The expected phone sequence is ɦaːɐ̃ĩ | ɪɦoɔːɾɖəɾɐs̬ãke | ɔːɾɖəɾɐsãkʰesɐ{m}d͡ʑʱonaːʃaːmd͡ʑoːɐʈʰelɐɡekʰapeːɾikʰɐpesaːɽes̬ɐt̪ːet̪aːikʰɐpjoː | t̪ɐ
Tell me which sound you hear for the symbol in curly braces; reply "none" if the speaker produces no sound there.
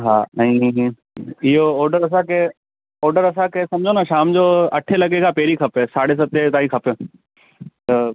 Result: m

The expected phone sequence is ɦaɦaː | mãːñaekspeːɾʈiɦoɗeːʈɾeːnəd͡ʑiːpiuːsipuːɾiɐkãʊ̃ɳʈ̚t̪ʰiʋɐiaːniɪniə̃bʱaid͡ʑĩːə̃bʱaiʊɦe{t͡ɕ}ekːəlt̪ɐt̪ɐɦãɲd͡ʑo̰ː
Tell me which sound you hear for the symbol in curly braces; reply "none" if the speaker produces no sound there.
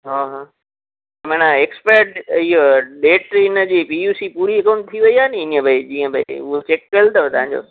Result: t͡ɕ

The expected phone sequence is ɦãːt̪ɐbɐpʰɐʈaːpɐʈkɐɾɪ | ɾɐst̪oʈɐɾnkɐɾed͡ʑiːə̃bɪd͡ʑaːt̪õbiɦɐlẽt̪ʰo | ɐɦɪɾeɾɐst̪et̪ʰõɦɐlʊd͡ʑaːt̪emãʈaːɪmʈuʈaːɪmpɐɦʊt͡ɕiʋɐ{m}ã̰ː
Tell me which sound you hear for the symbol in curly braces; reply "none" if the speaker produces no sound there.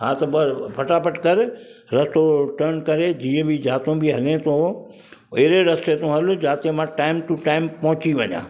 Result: ɲ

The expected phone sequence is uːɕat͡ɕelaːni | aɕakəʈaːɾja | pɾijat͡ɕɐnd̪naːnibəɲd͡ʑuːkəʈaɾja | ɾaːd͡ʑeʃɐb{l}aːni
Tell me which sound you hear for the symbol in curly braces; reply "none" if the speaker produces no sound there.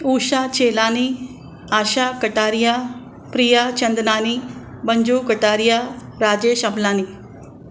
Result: l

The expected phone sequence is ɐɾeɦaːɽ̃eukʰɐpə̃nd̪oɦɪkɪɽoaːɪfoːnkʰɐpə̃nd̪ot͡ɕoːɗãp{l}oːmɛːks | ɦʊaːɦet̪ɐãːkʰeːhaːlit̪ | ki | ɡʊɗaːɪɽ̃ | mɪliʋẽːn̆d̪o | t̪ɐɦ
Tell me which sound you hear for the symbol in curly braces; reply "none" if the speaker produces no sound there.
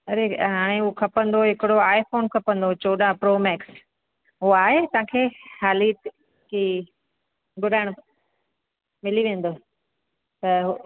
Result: ɾ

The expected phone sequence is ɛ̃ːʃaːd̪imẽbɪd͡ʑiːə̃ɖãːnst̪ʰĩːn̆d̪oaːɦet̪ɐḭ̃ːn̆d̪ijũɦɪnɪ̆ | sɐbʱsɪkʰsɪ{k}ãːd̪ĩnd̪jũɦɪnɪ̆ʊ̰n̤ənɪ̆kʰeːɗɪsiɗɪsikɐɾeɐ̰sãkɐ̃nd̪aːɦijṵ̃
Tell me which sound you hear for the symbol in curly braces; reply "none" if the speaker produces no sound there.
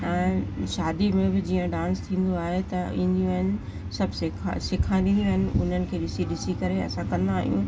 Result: kʰ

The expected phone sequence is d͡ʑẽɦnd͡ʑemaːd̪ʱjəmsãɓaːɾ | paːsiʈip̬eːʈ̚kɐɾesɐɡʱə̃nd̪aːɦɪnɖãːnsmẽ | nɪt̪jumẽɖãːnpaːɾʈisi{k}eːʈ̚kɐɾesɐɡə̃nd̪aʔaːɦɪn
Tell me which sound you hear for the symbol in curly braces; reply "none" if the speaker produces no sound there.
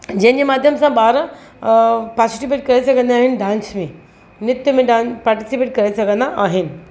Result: p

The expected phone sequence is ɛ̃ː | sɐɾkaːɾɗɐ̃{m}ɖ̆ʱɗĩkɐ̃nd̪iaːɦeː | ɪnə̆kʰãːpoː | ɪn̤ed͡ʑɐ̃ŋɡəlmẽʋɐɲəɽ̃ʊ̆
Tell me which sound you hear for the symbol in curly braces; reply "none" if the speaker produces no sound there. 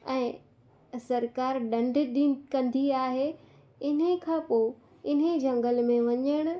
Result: ɳ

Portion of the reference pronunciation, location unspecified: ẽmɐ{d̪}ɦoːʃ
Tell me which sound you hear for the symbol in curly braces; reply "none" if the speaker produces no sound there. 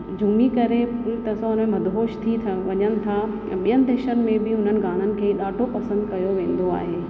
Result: d̪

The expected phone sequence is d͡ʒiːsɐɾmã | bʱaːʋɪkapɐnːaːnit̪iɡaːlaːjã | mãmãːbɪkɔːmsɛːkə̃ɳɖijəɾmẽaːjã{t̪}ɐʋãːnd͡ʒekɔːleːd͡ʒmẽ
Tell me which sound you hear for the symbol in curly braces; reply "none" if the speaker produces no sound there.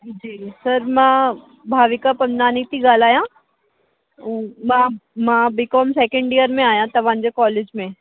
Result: t̪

